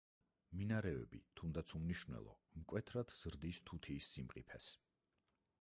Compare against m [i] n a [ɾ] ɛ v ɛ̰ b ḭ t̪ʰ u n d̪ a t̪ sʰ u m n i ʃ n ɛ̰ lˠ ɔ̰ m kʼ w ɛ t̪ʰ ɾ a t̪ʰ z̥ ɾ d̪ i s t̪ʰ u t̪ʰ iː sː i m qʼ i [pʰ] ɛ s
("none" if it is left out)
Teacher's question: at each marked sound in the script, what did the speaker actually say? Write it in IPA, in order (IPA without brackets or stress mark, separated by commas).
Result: i, ɾ, pʰ